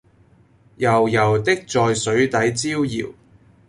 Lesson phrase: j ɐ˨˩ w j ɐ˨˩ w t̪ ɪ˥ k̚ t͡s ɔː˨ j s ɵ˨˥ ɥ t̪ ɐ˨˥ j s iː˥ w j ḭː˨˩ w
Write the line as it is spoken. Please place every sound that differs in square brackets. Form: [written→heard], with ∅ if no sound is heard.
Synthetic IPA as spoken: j ɐ˨˩ w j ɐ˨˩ w t̪ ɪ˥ k̚ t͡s ɔː˨ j s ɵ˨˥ ɥ t̪ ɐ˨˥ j [s→t͡s] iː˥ w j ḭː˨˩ w